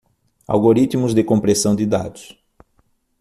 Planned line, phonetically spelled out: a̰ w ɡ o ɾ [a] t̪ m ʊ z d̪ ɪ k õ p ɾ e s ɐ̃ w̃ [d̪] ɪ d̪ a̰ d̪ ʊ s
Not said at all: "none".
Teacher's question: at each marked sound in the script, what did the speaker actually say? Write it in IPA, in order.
i, d̪

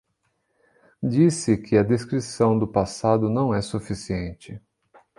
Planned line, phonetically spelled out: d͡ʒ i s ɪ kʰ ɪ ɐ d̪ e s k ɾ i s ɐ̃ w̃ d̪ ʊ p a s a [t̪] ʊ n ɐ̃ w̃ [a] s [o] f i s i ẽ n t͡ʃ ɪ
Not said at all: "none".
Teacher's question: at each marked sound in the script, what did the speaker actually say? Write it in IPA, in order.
d̪, ɛ, u

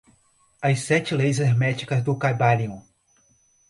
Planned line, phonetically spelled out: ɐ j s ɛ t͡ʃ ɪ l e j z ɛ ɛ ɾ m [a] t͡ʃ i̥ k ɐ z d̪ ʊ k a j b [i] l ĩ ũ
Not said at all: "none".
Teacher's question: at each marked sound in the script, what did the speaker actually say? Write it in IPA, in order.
ɛ, a

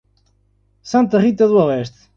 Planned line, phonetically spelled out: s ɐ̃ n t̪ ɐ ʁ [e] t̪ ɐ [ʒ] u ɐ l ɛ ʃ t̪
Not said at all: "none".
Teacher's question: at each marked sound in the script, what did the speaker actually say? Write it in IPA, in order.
i, ð

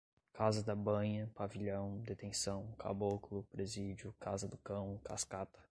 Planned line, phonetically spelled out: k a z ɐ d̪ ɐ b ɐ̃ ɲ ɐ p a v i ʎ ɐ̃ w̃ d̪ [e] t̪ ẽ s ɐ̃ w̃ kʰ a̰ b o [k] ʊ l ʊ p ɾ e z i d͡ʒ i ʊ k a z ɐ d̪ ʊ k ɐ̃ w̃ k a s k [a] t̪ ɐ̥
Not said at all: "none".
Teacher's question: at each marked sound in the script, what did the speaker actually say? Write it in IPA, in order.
e, k, a

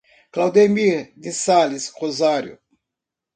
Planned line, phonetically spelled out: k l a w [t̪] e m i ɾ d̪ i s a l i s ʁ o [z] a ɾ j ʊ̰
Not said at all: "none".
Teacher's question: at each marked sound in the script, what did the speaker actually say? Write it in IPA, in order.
d̪, z

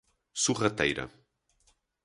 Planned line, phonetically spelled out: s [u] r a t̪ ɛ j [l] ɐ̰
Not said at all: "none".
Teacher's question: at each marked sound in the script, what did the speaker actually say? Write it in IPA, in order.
u, ɾ

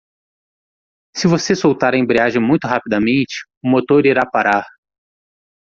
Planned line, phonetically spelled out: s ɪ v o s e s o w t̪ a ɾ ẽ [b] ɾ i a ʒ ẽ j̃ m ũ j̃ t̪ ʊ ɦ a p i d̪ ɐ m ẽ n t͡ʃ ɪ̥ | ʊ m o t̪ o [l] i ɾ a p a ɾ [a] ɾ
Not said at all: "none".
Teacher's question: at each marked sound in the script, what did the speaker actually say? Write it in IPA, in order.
b, ɾ, a

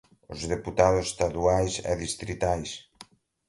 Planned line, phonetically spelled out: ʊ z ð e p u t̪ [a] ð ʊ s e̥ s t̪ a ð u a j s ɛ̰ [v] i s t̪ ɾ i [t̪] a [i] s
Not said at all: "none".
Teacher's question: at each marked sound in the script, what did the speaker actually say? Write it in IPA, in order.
a, ð, t̪, j

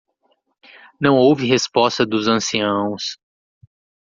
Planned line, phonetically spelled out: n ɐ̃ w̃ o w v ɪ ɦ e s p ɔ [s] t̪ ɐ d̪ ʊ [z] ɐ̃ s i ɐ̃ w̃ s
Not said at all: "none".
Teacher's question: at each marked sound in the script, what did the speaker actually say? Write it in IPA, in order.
s, z

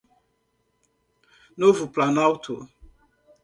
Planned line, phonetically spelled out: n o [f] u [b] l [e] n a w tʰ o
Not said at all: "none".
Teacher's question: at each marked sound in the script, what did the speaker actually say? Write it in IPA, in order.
v, p, a

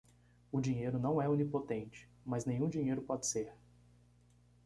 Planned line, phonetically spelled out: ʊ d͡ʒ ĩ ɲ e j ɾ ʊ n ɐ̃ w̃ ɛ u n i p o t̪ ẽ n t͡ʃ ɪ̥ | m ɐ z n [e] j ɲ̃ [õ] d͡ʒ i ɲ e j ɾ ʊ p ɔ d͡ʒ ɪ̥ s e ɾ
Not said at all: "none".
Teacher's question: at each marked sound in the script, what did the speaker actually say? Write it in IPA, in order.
ẽ, ũ

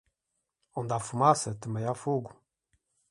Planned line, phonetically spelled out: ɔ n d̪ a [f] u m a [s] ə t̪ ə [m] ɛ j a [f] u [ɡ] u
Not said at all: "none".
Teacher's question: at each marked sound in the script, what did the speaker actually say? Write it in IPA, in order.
f, s, m, f, ɡ

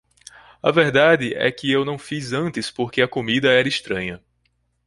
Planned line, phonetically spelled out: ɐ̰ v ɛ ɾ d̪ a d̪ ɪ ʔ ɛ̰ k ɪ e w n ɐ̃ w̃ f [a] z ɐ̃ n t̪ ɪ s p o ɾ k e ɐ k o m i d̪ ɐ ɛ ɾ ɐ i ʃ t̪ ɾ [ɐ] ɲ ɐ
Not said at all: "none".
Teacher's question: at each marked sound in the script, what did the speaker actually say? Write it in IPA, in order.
i, ɐ̃

